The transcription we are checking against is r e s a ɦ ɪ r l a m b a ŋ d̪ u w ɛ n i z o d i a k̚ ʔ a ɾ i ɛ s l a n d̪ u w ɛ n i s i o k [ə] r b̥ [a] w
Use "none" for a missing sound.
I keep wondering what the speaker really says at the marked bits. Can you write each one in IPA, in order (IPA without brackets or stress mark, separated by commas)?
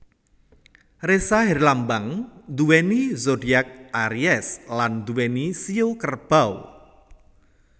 ə, a